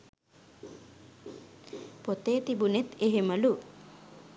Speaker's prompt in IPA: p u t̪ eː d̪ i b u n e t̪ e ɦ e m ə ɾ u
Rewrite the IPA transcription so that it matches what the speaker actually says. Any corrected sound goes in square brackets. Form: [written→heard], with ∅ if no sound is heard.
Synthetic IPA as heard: p [u→o] t̪ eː [d̪→t̪] i b u n e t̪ e ɦ e m ə [ɾ→l] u